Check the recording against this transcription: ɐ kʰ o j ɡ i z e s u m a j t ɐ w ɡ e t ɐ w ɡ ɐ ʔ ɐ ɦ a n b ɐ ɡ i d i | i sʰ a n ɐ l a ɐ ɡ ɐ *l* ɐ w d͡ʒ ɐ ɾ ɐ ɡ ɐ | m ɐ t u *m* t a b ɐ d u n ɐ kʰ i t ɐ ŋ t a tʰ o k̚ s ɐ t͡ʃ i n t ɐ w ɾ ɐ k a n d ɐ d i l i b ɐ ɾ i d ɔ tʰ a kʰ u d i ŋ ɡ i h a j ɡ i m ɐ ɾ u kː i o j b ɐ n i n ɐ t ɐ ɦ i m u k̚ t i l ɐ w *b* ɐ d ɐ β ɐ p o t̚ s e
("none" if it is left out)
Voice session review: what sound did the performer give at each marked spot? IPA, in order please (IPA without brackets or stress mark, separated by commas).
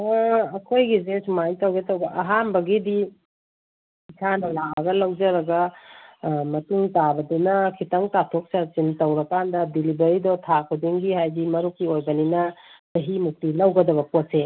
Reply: l, ŋ, ɡ